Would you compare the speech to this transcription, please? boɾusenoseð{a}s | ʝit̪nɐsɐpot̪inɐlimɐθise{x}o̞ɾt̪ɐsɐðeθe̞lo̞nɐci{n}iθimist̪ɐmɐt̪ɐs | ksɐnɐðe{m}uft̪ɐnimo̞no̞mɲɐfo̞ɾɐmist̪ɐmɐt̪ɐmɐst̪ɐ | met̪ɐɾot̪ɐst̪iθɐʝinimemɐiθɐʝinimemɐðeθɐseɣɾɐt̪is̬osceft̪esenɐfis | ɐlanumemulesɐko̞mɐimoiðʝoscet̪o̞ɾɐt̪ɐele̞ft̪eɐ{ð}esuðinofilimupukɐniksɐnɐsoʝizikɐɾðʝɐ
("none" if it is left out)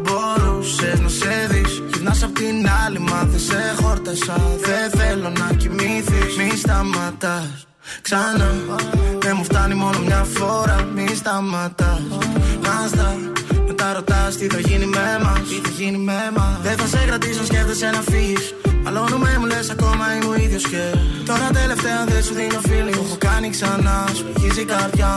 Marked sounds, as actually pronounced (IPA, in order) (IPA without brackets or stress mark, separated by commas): i, x, m, m, ð